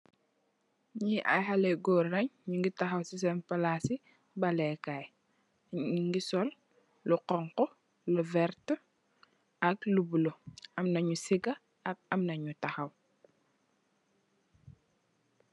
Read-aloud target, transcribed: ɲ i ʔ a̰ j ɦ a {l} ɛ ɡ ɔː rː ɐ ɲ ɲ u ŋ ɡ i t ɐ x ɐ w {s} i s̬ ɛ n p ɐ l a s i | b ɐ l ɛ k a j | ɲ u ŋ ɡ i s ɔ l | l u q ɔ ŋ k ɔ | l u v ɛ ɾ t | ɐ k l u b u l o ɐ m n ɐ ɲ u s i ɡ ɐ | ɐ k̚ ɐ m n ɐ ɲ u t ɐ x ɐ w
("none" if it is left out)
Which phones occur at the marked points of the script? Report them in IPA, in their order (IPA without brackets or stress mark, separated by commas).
l, s